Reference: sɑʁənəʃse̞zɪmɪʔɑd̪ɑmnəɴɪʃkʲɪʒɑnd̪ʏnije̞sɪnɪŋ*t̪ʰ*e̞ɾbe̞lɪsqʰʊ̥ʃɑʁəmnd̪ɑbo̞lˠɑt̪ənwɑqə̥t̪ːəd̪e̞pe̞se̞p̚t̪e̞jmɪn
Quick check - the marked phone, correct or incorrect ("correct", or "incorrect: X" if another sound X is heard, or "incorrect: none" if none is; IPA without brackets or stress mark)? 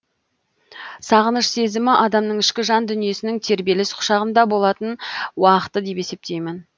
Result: correct